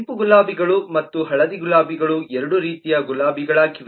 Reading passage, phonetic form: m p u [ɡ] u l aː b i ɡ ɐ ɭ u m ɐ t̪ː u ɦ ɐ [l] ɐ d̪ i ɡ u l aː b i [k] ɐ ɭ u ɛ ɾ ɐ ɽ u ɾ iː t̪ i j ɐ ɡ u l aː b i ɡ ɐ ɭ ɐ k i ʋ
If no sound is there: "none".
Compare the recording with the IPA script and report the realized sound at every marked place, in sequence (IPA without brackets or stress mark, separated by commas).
ɡ, ɭ, ɡ